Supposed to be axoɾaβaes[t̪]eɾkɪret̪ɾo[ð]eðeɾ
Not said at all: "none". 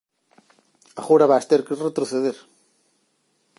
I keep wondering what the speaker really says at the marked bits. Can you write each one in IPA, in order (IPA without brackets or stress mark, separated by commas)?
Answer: t̪, θ